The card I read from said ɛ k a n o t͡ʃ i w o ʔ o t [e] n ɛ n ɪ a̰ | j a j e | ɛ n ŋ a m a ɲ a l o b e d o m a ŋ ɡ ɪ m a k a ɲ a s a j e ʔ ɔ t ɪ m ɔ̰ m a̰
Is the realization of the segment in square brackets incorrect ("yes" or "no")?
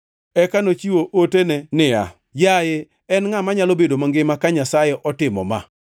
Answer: no